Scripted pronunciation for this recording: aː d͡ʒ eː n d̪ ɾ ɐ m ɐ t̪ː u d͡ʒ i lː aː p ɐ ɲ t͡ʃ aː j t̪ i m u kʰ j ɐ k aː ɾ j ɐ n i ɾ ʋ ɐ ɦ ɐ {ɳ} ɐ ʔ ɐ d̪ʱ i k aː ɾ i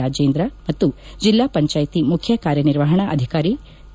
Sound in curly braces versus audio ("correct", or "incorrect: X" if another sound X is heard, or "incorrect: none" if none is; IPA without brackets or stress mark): correct